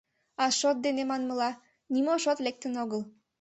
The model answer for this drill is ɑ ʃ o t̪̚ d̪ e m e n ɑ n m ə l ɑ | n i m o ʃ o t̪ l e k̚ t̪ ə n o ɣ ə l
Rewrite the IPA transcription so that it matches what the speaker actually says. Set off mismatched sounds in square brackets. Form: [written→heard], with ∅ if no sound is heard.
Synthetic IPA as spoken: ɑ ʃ o t̪̚ d̪ e [m→n] e [n→m] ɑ n m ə l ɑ | n i m o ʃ o t̪ l e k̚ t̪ ə n o ɣ ə l